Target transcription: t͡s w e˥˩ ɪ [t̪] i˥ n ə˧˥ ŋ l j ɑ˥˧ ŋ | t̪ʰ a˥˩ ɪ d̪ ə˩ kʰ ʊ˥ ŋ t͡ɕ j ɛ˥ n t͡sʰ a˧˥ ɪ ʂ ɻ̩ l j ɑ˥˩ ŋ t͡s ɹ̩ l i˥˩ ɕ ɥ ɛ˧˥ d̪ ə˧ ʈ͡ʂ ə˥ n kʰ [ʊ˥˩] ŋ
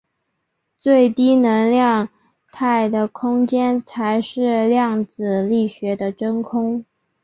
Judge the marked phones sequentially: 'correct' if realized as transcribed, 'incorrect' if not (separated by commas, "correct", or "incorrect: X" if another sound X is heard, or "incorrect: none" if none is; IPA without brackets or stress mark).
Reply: correct, incorrect: ʊ˥